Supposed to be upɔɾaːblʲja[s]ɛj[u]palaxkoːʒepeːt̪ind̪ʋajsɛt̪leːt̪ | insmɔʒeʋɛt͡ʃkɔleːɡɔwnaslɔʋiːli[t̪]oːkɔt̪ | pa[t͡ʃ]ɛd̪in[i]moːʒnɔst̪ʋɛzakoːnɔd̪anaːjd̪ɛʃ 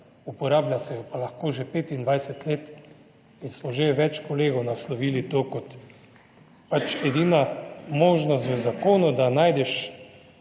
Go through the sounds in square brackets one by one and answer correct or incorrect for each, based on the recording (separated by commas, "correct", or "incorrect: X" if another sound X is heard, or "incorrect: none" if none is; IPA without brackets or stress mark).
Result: correct, incorrect: ɔ, correct, correct, incorrect: a